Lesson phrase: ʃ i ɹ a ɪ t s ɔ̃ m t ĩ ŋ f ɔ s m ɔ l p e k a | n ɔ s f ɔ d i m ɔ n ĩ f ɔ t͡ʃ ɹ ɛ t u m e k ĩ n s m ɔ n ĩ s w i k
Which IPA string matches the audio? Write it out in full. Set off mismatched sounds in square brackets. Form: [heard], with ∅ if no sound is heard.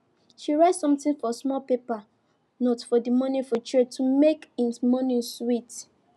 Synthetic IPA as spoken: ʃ i ɹ a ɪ t s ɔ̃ m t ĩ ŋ f ɔ s m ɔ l p e [p] a | n ɔ [t] f ɔ d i m ɔ n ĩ f ɔ t͡ʃ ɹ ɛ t u m e k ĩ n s m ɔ n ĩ s w i [t]

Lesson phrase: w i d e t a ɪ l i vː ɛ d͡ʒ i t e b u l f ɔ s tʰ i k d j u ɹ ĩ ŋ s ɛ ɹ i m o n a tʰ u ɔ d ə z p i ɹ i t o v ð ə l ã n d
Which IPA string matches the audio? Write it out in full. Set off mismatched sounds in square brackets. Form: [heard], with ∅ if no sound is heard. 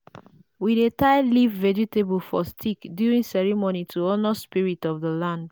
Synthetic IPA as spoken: w i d e t a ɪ l i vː ɛ d͡ʒ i t e b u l f ɔ s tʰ i k d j u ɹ ĩ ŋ s ɛ ɹ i m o n [i] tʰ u ɔ [n] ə [s] p i ɹ i t [ɔ] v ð ə l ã n d

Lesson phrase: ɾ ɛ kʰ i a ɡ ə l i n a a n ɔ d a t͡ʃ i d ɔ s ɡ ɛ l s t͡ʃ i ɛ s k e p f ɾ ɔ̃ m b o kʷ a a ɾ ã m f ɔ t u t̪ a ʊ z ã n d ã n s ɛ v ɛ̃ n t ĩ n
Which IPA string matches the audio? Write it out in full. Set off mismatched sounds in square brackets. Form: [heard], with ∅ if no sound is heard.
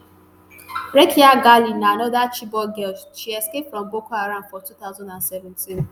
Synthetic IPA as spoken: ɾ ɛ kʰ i a ɡ [a] l i n a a n ɔ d a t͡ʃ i [b] ɔ [∅] ɡ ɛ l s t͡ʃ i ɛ s k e p f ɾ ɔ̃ m b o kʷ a a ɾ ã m f ɔ t u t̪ a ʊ z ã n d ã n s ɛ v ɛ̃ n t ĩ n

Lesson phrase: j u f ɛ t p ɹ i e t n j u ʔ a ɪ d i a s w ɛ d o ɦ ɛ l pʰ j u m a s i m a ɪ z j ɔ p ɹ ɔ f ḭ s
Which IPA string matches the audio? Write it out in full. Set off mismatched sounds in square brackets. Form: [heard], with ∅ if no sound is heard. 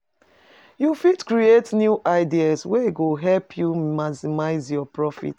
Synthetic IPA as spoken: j u f [i] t [k] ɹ i e t n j u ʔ a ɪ d i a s w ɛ [ɡ] o ɦ ɛ l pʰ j u m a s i m a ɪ z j ɔ p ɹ ɔ f ḭ [t]

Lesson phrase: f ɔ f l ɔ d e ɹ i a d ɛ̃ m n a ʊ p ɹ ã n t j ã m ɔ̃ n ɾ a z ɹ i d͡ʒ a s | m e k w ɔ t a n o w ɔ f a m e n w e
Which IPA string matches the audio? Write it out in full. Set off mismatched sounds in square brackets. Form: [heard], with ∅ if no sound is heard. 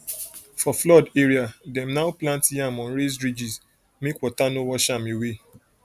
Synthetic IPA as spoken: f ɔ f l ɔ d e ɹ i a d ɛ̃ m n a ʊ p [l] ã n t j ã m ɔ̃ n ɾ [e] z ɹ i d͡ʒ [i] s | m e k w ɔ t a n o w ɔ [ʃ] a m e [∅] w e

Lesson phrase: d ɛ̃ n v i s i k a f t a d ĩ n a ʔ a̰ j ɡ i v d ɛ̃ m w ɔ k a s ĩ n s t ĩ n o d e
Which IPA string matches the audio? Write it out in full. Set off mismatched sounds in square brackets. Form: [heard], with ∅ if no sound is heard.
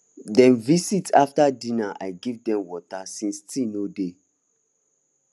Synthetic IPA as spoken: d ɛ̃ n v i s i [t] a f t a d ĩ n a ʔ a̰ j ɡ i v d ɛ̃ m w ɔ [t] a s ĩ n s t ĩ n o d e

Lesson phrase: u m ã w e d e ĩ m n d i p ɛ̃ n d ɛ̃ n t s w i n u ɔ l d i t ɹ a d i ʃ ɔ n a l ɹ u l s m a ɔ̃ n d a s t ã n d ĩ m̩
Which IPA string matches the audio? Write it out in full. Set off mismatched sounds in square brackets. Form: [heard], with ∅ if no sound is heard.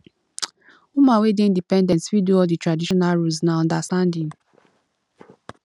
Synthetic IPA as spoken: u m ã w e d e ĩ [∅] n d i p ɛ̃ n d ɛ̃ n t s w i [d] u ɔ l d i t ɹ a d i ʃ ɔ n a l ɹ u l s [n] a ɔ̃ n d a s t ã n d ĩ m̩

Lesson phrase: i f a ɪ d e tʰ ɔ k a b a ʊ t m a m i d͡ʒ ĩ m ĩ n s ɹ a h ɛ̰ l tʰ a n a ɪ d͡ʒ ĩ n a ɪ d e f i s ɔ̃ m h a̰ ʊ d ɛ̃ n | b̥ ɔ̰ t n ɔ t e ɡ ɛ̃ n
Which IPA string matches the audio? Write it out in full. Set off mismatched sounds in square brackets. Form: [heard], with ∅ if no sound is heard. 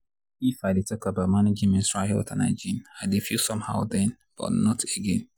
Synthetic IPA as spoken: i f a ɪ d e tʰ ɔ k a b a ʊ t m a [n] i d͡ʒ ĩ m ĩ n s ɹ a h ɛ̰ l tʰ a n a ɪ d͡ʒ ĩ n a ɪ d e f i s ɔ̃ m h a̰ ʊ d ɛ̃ n | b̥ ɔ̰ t n ɔ t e ɡ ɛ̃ n

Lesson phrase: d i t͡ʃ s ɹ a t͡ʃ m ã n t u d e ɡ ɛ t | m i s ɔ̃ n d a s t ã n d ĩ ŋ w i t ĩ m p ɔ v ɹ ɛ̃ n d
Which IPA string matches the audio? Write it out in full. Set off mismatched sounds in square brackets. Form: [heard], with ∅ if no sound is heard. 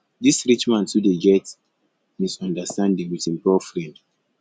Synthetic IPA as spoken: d i [∅] s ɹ [i] t͡ʃ m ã n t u d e ɡ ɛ t | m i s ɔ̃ n d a s t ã n d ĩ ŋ w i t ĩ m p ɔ [f] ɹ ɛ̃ n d

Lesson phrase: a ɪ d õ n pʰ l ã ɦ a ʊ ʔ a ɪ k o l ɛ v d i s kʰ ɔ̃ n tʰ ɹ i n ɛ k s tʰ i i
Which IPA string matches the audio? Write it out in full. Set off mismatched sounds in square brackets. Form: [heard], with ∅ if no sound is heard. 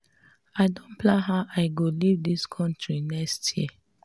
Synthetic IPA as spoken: a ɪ d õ n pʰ l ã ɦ a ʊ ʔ a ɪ [ɡ] o l [i] v d i s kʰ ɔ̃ n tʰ ɹ i n ɛ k s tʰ [j] i

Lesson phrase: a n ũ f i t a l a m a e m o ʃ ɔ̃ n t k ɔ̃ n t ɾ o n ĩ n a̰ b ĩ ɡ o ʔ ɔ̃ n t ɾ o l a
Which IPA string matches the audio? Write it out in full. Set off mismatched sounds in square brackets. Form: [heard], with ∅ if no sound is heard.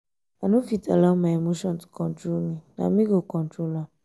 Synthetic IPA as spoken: a n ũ f i t a l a m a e m o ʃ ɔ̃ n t k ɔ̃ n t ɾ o n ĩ n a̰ [m] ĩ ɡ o [k] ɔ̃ n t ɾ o l a

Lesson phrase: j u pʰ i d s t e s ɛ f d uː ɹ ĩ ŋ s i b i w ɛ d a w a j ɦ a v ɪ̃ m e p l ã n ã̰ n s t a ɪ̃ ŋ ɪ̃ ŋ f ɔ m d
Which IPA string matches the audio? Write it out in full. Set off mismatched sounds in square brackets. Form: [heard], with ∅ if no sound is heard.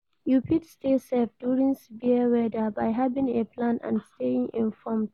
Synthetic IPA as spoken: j u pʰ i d s t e s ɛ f d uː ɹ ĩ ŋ s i b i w ɛ d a [b] a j ɦ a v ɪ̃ [ŋ] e p l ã n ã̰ n s t [e] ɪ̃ ŋ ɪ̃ [n] f ɔ m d

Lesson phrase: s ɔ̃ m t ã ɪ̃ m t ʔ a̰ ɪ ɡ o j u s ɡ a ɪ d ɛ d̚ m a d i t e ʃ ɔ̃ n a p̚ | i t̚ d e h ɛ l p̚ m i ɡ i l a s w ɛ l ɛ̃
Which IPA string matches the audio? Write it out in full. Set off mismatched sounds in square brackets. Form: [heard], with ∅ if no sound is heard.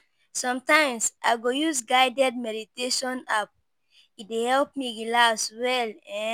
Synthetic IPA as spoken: s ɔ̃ m t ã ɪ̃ m [s] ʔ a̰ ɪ ɡ o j u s ɡ a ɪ d ɛ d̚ m [ɛ] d i t e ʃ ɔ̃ n a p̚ | i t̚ d e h ɛ l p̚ m i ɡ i l a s w ɛ l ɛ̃

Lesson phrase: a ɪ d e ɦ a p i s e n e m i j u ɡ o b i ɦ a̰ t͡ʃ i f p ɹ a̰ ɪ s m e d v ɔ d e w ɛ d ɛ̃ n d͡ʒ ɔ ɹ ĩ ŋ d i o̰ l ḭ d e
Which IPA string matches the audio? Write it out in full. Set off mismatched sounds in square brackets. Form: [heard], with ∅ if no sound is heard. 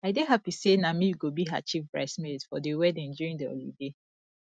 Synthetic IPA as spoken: a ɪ d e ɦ a p i s e n [a] m i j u ɡ o b i ɦ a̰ t͡ʃ i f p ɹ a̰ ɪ s m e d [f] ɔ d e w ɛ d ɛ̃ n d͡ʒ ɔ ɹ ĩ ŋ d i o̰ l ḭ d e

